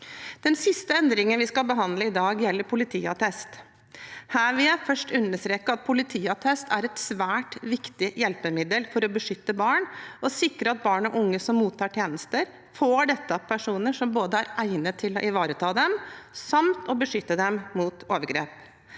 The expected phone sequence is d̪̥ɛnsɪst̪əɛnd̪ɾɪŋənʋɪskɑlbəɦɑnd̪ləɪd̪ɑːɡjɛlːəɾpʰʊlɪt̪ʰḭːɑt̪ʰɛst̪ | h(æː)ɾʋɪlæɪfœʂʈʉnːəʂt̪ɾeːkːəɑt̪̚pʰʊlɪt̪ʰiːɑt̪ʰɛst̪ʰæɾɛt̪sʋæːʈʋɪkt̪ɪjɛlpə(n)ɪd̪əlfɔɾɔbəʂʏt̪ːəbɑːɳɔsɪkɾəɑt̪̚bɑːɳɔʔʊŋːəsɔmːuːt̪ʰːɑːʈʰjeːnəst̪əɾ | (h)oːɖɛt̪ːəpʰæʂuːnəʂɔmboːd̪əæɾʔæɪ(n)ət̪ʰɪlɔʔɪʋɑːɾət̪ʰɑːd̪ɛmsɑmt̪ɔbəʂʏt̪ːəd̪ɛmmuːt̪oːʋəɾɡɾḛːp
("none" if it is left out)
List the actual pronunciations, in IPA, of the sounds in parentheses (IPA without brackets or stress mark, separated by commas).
æː, m, f, n